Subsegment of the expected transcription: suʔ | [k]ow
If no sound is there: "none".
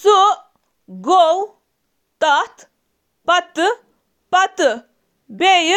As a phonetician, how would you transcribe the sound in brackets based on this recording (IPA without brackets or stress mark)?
ɡ